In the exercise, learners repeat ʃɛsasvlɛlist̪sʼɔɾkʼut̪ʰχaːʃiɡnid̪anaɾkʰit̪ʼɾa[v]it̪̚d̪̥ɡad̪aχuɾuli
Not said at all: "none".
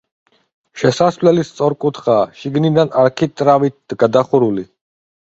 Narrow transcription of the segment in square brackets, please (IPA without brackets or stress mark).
v